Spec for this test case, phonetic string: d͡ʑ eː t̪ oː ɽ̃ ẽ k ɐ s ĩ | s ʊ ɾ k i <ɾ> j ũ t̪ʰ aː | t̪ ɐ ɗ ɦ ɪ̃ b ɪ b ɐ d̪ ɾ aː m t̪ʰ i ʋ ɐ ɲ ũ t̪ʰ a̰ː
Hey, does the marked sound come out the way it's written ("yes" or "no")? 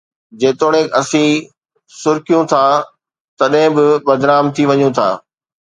no